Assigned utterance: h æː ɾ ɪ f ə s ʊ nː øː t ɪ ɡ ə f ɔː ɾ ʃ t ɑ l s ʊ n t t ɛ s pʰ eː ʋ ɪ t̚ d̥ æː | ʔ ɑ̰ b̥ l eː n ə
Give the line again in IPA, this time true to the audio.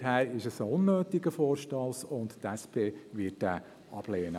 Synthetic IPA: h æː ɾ ɪ ʃ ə s ʊ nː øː t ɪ ɡ ə f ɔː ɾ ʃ t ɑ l s ʊ n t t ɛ s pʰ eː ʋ ɪ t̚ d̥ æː | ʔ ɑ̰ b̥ l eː n ə